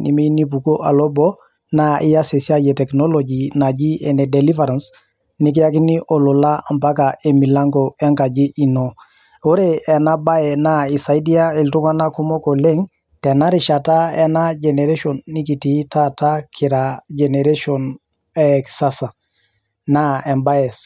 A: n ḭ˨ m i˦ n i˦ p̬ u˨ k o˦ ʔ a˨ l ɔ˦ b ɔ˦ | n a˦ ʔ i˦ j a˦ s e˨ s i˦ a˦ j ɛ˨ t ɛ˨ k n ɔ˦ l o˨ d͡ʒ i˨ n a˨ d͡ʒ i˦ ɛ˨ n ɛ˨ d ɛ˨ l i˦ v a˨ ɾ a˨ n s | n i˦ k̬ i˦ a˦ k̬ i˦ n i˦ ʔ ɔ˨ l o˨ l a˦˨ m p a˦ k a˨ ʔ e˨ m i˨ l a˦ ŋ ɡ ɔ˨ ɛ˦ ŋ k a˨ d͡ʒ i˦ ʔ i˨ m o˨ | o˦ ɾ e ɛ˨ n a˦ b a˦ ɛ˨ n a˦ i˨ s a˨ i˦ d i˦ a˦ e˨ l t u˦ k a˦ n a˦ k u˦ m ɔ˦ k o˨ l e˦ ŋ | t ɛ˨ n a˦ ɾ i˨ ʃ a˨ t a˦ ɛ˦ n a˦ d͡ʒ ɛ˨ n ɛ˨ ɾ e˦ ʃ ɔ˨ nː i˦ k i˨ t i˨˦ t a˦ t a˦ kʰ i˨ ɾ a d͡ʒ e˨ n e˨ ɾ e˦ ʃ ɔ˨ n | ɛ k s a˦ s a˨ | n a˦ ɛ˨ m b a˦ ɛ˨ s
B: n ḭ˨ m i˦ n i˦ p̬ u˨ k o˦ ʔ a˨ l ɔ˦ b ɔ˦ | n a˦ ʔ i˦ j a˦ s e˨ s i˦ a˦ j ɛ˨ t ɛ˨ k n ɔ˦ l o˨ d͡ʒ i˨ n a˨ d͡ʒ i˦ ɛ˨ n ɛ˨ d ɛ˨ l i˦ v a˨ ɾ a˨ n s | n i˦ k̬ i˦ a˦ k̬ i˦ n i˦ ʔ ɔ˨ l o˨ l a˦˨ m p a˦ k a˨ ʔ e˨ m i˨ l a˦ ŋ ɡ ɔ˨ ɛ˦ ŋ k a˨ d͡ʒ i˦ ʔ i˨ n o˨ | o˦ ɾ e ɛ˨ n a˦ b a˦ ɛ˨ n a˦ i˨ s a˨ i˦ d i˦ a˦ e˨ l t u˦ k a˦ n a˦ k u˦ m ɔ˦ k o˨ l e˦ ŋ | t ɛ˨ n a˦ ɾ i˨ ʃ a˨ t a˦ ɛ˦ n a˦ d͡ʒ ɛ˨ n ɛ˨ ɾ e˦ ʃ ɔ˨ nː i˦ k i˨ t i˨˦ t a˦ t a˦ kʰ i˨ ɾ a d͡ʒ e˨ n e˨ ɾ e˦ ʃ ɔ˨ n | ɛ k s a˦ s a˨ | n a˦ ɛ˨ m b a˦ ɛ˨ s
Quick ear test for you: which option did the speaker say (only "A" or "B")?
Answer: B